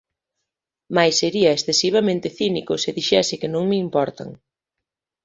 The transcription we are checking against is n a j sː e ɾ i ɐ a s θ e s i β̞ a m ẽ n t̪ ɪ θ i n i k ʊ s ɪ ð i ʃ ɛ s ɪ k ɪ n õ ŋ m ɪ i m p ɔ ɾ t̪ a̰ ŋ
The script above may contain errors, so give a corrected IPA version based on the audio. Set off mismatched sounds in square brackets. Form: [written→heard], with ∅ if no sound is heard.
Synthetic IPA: [n→m] a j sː e ɾ i ɐ [a→e] s θ e s i β̞ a m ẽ n t̪ ɪ θ i n i k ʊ s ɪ ð i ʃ ɛ s ɪ k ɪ n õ ŋ m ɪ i m p ɔ ɾ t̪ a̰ ŋ